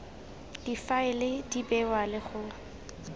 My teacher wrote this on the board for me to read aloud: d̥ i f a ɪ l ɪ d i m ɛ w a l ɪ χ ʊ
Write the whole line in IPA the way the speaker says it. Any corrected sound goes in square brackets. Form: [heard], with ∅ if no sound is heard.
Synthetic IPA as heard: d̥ i f a ɪ l ɪ d i [b] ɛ w a l ɪ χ ʊ

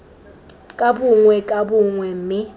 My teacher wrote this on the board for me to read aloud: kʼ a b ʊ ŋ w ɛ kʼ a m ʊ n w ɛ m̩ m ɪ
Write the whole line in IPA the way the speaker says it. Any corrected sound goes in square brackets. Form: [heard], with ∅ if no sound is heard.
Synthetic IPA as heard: kʼ a b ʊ ŋ w ɛ kʼ a [b] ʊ [ŋ] w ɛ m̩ m ɪ

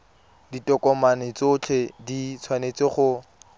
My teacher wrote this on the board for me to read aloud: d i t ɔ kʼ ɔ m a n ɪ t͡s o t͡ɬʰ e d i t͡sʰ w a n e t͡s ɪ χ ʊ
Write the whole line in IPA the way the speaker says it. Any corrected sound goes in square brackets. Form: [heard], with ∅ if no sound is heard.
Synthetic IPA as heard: d i t ɔ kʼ ɔ m a n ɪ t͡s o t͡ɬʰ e d i t͡sʰ w a n e t͡s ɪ χ ʊ

